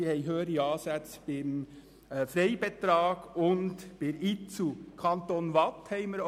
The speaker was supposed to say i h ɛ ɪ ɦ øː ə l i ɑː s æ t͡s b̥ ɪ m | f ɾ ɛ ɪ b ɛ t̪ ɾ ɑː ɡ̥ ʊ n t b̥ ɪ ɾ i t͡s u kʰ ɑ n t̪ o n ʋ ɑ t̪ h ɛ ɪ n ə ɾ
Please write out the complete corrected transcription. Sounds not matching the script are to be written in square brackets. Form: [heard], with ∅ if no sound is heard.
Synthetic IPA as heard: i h ɛ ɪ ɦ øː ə [ɾ] i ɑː s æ t͡s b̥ ɪ m | f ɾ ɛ ɪ b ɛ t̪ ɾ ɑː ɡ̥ ʊ n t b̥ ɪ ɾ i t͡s u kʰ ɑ n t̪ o n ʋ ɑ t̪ h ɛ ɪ [m] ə ɾ